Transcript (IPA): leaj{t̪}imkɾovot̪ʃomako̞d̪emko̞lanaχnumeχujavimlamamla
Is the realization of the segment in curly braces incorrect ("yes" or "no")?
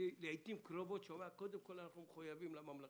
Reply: no